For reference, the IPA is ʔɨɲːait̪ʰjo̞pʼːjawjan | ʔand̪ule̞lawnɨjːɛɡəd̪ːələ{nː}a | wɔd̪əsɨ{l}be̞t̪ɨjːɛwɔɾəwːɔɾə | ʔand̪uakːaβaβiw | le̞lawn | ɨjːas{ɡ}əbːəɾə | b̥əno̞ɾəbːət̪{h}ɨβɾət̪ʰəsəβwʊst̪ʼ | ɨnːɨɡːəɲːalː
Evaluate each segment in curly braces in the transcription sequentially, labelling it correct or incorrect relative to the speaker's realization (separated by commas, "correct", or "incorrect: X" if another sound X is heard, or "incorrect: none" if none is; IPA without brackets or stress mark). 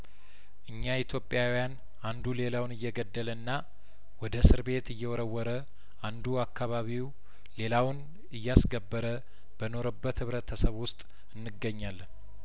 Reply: correct, incorrect: ɾ, correct, correct